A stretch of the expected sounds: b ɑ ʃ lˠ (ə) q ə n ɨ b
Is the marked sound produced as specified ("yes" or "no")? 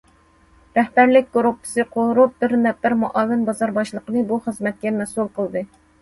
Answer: yes